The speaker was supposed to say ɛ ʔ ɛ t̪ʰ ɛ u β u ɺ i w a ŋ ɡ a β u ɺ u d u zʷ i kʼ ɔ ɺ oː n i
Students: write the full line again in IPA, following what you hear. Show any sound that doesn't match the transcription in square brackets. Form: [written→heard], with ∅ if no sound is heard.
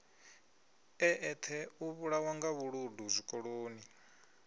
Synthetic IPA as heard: ɛ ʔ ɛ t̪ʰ ɛ u β u ɺ [i→a] w a ŋ ɡ a β u ɺ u d u zʷ i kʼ ɔ ɺ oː n i